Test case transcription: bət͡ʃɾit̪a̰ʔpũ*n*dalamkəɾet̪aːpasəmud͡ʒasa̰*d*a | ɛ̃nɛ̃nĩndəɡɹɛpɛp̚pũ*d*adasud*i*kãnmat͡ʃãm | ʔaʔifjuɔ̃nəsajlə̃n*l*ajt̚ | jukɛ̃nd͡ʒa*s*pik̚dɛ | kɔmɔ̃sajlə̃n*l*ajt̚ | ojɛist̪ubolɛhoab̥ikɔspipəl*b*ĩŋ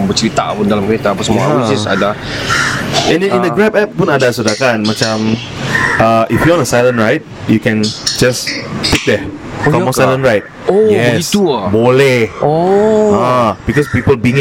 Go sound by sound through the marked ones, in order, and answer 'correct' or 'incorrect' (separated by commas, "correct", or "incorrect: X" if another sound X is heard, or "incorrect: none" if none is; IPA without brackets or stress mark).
correct, correct, incorrect: n, incorrect: a, incorrect: ɹ, correct, incorrect: ɹ, correct